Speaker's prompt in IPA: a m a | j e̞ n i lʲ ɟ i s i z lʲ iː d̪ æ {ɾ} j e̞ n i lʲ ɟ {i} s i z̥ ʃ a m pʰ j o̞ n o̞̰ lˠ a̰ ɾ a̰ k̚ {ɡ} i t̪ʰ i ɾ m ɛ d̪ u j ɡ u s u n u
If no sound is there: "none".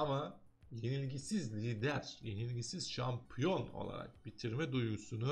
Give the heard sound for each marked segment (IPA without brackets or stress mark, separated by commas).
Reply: ɾ, i, b